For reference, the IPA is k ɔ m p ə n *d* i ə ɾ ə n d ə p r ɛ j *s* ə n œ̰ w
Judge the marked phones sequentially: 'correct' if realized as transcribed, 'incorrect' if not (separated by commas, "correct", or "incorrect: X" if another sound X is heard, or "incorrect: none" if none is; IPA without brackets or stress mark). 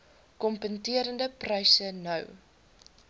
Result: incorrect: t, correct